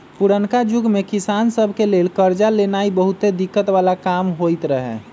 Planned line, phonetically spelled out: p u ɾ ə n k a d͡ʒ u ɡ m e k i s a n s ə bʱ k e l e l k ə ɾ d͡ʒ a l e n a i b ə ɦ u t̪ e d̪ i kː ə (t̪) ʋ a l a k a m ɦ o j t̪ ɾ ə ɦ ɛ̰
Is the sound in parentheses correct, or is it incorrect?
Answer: correct